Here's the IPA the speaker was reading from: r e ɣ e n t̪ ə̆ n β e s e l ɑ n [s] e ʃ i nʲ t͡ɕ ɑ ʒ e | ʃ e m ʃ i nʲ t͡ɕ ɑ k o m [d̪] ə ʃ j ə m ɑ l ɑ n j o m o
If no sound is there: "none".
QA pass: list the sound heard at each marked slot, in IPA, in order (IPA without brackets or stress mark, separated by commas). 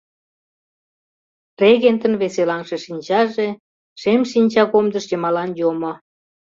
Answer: ʃ, d̪